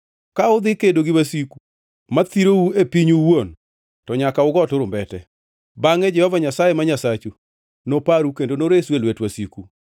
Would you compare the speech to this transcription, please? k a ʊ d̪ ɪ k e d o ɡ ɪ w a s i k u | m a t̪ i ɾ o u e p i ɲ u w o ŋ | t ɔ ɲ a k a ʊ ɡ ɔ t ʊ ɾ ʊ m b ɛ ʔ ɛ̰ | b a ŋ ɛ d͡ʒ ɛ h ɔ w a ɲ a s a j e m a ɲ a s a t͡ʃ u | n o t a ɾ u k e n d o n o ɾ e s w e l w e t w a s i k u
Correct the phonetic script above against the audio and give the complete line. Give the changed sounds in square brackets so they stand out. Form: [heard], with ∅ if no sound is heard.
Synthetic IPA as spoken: k a ʊ d̪ ɪ k e d o ɡ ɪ w a s i k u | m a t̪ i ɾ o u e p i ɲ u w o [n] | t ɔ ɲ a k a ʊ ɡ ɔ t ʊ ɾ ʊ m b ɛ [t] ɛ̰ | b a ŋ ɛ d͡ʒ ɛ h ɔ [v] a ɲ a s a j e m a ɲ a s a t͡ʃ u | n o [p] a ɾ u k e n d o n o ɾ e s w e l w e t w a s i k u